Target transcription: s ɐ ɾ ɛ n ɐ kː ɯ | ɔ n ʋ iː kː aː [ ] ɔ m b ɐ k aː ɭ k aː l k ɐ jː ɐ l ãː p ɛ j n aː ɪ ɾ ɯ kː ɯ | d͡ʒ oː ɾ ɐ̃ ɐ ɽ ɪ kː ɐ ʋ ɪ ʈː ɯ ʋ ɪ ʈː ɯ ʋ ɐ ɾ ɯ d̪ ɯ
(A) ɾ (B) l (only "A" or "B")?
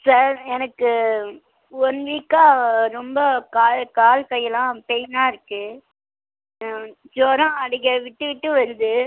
A